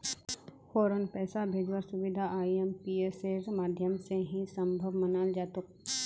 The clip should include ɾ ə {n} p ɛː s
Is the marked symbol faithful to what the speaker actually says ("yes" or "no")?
yes